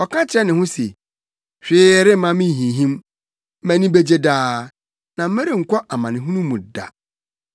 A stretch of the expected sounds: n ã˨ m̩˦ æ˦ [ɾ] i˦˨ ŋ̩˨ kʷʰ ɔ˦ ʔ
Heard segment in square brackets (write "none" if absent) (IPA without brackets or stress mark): ɾ